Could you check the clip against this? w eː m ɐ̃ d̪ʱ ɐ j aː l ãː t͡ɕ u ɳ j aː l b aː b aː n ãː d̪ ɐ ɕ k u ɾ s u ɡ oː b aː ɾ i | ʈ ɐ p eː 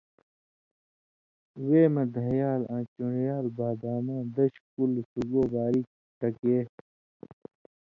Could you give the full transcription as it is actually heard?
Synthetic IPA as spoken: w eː m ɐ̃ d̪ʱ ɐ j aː l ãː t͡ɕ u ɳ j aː l b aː b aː m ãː d̪ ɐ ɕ k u l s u ɡ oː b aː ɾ i | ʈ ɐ k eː

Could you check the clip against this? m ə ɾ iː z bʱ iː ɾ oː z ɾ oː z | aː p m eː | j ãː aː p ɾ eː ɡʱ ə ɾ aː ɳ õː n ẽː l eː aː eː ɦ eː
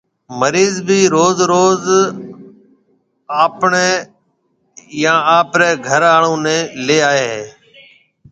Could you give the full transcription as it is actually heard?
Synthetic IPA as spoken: m ə ɾ iː z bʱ iː ɾ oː z ɾ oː z | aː p ɳ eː | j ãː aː p ɾ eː ɡʱ ə ɾ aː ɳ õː n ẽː l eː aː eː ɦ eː

